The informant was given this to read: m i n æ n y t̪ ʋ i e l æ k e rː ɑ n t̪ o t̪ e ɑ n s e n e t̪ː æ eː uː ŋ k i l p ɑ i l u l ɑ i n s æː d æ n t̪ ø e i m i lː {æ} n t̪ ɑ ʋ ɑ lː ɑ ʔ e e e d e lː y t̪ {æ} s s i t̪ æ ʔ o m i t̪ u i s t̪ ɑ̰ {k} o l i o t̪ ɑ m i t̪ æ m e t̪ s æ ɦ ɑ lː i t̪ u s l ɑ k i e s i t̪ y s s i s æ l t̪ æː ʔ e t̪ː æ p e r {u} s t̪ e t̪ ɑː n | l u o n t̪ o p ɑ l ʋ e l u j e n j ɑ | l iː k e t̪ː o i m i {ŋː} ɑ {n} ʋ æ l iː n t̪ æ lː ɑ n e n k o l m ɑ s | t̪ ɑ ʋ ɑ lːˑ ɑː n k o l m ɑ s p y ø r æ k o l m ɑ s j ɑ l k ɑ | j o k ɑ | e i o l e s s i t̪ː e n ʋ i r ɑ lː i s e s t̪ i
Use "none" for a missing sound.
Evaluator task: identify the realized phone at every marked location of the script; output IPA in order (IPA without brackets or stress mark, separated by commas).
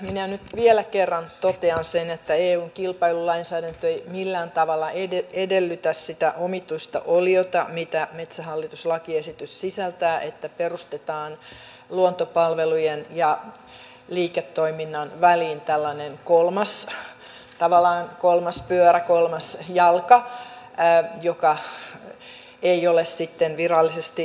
æː, æ, ʔ, u, nː, n